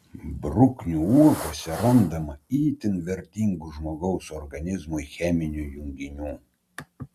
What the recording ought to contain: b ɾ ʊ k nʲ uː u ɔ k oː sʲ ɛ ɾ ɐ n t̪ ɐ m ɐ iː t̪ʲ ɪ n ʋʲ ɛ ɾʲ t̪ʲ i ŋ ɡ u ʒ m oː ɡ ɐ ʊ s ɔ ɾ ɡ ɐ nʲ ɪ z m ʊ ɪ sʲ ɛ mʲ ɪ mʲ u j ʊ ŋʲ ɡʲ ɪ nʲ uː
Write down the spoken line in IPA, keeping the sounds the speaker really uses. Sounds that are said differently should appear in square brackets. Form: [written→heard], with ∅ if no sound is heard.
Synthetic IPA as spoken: b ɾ ʊ k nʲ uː u ɔ k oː sʲ ɛ ɾ ɐ n [t̪→d̪] ɐ m ɐ iː t̪ʲ ɪ n ʋʲ ɛ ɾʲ t̪ʲ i ŋ ɡ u ʒ m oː ɡ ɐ ʊ s ɔ ɾ ɡ ɐ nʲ ɪ z m ʊ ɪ [sʲ→xʲ] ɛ mʲ ɪ [mʲ→nʲ] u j ʊ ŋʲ ɡʲ ɪ nʲ uː

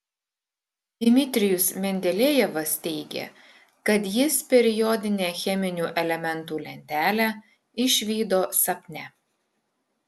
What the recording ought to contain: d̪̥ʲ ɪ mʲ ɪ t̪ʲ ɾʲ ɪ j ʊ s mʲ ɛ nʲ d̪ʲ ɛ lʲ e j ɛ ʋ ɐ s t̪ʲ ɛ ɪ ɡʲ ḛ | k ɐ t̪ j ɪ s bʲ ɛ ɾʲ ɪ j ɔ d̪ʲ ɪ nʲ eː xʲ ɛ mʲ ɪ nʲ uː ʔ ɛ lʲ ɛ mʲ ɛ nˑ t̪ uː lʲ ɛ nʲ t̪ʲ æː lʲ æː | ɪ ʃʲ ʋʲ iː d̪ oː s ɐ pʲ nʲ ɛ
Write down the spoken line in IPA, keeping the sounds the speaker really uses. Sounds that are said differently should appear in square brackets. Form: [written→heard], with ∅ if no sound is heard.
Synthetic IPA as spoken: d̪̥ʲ ɪ mʲ ɪ t̪ʲ ɾʲ ɪ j ʊ s mʲ ɛ nʲ d̪ʲ ɛ lʲ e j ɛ ʋ ɐ s t̪ʲ ɛ ɪ ɡʲ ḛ | k ɐ t̪ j ɪ s [bʲ→pʲ] ɛ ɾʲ ɪ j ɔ d̪ʲ ɪ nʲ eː xʲ ɛ mʲ ɪ nʲ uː ʔ ɛ lʲ ɛ mʲ ɛ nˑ t̪ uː lʲ ɛ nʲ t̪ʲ æː lʲ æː | ɪ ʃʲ ʋʲ iː d̪ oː s ɐ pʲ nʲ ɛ

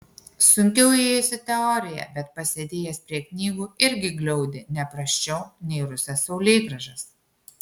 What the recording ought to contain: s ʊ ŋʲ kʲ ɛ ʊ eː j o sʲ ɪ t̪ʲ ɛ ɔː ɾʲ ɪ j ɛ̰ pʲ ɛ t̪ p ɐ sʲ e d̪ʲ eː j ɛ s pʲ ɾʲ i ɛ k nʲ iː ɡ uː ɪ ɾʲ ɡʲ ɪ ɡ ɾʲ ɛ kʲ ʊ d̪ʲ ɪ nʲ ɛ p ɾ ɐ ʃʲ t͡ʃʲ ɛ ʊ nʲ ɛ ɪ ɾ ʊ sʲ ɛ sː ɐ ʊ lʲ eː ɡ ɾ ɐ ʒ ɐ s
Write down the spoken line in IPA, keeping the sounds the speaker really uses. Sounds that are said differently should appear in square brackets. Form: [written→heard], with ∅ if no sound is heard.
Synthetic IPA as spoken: s ʊ ŋʲ kʲ ɛ ʊ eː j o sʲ ɪ t̪ʲ ɛ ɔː ɾʲ ɪ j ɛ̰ [pʲ→bʲ] ɛ t̪ p ɐ sʲ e d̪ʲ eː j ɛ s pʲ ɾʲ i ɛ k nʲ iː ɡ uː ɪ ɾʲ ɡʲ ɪ ɡ [ɾʲ→lʲ] ɛ [kʲ→∅] ʊ d̪ʲ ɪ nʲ ɛ p ɾ ɐ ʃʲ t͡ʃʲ ɛ ʊ nʲ ɛ ɪ ɾ ʊ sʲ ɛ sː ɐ ʊ lʲ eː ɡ ɾ ɐ ʒ ɐ s

